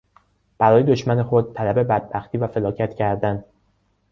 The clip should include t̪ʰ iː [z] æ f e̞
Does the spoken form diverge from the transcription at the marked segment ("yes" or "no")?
yes